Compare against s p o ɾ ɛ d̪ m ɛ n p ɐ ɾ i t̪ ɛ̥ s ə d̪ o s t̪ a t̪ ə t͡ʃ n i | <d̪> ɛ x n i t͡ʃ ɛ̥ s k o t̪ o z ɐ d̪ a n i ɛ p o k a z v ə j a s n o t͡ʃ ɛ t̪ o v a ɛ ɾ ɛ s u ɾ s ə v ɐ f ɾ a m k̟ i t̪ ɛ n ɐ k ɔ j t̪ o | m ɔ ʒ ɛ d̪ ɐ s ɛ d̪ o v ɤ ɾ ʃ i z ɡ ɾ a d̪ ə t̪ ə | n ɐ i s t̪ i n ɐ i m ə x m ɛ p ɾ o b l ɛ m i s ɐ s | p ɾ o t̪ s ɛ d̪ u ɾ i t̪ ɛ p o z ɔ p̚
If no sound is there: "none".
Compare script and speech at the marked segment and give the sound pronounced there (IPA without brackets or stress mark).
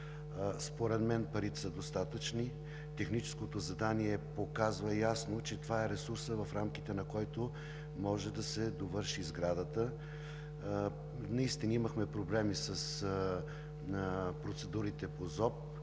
t̪